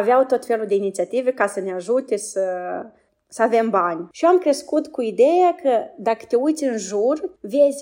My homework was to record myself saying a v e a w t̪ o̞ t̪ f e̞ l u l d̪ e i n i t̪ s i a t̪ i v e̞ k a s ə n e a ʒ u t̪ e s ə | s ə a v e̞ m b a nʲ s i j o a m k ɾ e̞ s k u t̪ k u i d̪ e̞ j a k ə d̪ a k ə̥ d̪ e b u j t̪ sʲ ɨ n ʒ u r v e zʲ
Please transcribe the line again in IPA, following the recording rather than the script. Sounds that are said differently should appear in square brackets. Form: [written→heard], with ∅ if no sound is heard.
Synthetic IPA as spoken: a v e a w t̪ o̞ t̪ f e̞ l u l d̪ e i n i t̪ s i a t̪ i v e̞ k a s ə n e a ʒ u t̪ e s ə | s ə a v e̞ m b a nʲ [s→ʃ] i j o a m k ɾ e̞ s k u t̪ k u i d̪ e̞ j a k ə d̪ a k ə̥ [d̪→t̪] e [b→∅] u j t̪ sʲ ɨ n ʒ u r v e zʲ